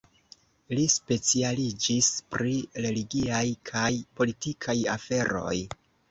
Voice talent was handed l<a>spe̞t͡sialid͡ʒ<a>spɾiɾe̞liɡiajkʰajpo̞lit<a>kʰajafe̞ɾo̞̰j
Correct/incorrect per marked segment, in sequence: incorrect, incorrect, incorrect

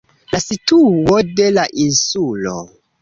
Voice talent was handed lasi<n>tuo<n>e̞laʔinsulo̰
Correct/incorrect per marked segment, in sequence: incorrect, incorrect

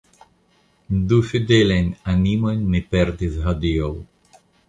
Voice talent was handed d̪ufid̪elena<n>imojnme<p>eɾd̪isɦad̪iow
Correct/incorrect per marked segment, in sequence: correct, correct

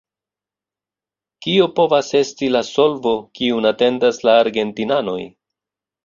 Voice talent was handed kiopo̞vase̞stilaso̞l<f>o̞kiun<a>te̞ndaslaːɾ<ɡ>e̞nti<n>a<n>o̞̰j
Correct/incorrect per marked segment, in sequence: incorrect, correct, correct, correct, correct

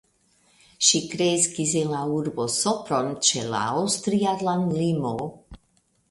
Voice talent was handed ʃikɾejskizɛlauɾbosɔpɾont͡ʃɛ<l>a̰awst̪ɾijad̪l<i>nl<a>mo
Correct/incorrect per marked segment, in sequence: correct, incorrect, incorrect

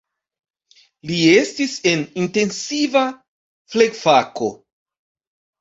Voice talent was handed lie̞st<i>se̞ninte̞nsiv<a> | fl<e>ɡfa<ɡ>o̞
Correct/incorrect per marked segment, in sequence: correct, correct, correct, incorrect

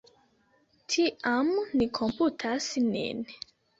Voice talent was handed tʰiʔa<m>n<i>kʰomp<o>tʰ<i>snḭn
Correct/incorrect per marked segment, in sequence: correct, correct, incorrect, incorrect

